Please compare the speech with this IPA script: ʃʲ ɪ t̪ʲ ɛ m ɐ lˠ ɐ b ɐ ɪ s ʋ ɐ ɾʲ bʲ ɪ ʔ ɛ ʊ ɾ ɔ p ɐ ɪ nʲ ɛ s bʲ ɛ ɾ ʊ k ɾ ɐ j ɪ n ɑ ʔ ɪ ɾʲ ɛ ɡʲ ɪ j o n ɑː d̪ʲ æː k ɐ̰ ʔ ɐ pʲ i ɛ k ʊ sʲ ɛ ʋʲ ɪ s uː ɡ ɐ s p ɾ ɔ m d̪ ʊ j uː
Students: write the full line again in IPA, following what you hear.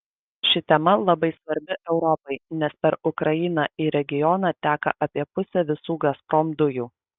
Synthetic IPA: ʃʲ ɪ t̪ʲ ɛ m ɐ lˠ ɐ b ɐ ɪ s ʋ ɐ ɾʲ bʲ ɪ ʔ ɛ ʊ ɾ ɔ p ɐ ɪ nʲ ɛ s pʲ ɛ ɾ ʊ k ɾ ɐ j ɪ n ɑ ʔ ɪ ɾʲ ɛ ɡʲ ɪ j ɔ n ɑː t̪ʲ æː k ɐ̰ ʔ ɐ pʲ i ɛ p ʊ sʲ ɛ ʋʲ ɪ s uː ɡ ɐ s p ɾ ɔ m d̪ ʊ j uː